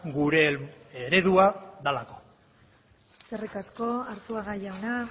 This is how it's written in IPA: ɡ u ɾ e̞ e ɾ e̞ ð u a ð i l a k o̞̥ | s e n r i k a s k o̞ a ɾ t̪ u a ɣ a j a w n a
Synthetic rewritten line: ɡ u ɾ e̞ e ɾ e̞ ð u a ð a l a k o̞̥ | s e r i k a s k o̞ a ɾ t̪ u a ɣ a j a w n a